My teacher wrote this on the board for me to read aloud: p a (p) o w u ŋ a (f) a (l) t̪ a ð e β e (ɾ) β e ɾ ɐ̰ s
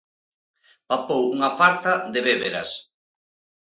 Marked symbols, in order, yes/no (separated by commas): yes, yes, no, no